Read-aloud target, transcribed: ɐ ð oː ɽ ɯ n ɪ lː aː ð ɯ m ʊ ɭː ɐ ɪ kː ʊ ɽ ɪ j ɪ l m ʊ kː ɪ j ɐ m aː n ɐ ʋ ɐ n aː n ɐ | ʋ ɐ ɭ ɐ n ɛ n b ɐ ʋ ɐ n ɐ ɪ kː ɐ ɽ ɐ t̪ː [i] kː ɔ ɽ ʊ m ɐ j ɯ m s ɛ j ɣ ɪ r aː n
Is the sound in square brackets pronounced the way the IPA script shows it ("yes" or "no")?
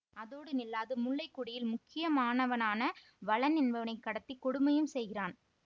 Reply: yes